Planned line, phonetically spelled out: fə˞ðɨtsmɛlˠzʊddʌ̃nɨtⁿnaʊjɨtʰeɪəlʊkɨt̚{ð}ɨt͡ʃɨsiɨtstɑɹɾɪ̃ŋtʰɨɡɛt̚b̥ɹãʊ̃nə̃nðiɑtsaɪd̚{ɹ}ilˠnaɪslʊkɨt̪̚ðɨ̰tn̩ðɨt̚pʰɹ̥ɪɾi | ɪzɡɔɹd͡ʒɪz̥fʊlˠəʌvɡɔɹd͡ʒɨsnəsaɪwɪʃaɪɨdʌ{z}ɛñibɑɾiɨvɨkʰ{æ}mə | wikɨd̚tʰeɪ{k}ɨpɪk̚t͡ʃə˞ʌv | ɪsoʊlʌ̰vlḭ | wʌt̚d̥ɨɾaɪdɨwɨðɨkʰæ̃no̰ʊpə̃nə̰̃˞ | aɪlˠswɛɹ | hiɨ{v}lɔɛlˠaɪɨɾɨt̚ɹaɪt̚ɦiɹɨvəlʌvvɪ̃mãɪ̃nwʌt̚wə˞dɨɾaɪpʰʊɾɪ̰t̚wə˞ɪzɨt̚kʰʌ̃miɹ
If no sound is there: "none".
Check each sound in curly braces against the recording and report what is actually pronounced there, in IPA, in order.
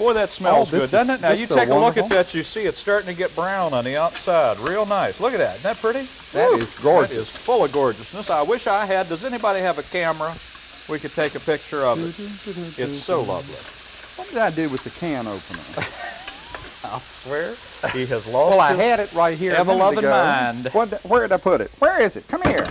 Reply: ð, ɹ, z, æ, k, z

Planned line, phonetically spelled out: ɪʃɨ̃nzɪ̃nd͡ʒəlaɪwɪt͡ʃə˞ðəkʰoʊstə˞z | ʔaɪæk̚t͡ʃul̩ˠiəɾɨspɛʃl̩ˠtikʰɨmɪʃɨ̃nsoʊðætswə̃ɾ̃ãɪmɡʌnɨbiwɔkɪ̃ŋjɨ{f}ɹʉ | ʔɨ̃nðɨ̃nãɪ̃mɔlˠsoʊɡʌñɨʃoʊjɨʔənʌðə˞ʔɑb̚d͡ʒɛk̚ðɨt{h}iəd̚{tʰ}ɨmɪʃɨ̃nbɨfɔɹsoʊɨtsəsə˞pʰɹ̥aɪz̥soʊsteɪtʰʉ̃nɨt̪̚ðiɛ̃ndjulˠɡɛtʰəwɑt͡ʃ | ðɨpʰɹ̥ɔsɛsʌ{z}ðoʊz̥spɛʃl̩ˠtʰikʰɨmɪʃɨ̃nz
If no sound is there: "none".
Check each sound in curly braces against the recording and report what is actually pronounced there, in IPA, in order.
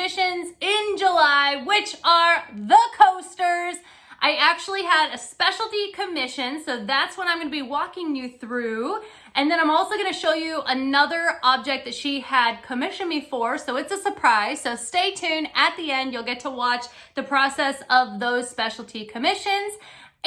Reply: θ, ʃ, kʰ, v

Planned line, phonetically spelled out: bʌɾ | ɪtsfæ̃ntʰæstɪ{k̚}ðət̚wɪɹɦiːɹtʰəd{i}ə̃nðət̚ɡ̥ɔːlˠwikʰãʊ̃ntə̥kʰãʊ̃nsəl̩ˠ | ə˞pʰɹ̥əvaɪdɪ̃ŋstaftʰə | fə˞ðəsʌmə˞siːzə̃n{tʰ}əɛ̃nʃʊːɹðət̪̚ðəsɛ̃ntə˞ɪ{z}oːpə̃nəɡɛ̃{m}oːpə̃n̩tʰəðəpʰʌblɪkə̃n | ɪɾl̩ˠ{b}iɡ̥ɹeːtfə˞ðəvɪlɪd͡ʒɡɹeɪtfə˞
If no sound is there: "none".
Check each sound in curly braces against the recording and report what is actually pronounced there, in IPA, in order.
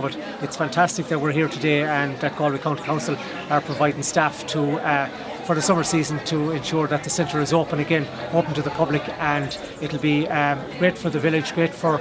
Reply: k̚, e, tʰ, z, n, b

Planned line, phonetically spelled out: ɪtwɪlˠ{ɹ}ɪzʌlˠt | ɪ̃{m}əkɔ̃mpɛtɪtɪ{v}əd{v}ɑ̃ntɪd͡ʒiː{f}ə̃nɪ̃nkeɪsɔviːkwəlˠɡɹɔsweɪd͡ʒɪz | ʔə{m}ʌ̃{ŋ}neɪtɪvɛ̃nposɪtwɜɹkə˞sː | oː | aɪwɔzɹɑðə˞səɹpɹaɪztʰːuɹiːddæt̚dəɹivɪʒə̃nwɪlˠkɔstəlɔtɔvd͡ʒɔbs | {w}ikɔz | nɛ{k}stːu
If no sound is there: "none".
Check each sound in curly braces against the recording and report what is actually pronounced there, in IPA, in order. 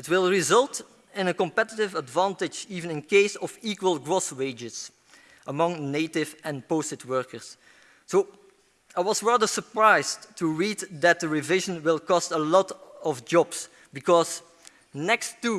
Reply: ɹ, n, v, v, v, m, ŋ, b, k

